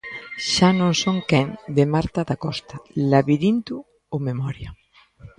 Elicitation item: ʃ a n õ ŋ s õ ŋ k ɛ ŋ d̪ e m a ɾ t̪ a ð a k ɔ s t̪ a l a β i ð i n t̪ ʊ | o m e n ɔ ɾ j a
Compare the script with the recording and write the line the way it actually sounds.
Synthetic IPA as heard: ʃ a n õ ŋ s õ ŋ k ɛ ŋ d̪ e m a ɾ t̪ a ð a k ɔ s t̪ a l a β i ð i n t̪ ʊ | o m e m ɔ ɾ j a